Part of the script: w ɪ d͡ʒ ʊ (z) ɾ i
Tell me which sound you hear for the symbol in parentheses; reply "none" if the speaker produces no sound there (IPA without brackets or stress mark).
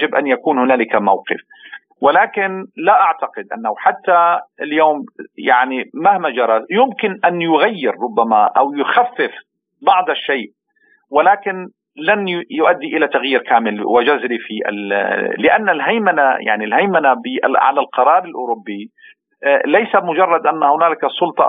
z